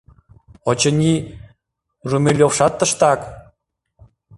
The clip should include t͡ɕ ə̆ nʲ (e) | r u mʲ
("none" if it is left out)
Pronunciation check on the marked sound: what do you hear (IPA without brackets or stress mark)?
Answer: i